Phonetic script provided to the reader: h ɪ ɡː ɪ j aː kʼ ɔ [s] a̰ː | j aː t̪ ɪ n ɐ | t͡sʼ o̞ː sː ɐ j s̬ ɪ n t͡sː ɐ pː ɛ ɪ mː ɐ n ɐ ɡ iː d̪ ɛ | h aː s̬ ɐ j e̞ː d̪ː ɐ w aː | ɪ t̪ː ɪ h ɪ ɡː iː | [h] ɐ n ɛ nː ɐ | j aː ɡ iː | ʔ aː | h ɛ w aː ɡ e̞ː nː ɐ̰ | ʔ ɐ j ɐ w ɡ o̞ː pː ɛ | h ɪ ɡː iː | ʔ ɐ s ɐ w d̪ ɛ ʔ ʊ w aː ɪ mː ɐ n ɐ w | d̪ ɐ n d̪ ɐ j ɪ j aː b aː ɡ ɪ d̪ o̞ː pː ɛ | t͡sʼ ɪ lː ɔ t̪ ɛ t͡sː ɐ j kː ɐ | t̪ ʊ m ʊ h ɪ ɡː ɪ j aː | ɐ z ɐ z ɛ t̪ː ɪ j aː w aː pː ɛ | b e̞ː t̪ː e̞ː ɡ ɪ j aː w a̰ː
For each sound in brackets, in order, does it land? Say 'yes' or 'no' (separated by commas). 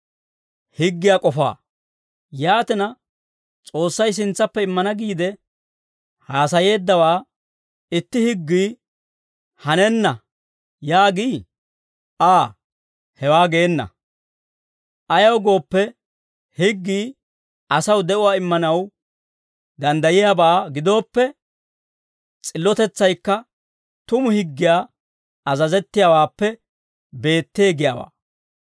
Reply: no, yes